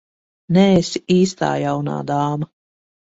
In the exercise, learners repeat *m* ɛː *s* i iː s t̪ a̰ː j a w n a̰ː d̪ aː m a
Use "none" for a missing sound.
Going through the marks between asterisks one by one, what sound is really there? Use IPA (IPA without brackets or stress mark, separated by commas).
n, s